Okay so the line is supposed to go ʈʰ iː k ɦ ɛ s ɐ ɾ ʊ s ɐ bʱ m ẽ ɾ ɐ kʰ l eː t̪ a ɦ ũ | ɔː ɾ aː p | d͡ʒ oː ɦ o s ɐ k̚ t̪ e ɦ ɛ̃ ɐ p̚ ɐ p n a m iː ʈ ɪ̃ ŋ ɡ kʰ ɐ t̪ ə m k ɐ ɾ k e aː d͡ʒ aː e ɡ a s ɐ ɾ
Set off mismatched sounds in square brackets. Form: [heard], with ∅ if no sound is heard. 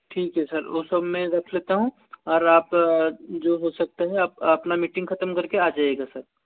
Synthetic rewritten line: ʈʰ iː k ɦ ɛ s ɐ ɾ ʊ s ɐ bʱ m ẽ ɾ ɐ kʰ l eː t̪ a ɦ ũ | ɔː ɾ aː p | d͡ʒ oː ɦ o s ɐ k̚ t̪ e ɦ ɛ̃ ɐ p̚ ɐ p n a m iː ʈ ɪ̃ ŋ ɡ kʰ ɐ t̪ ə m k ɐ ɾ k e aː d͡ʒ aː e ɡ a s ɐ ɾ